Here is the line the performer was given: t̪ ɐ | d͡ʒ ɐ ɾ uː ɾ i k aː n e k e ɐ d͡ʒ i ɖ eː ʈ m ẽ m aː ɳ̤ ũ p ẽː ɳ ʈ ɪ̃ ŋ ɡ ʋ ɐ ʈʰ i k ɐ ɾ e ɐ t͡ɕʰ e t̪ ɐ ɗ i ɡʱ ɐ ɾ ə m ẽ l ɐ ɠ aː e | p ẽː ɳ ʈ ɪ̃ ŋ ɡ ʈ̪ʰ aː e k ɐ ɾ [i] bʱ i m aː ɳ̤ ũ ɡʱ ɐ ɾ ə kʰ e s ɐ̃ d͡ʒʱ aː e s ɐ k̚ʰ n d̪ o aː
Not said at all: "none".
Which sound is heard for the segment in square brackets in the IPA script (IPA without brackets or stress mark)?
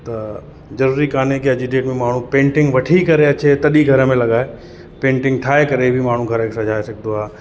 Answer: e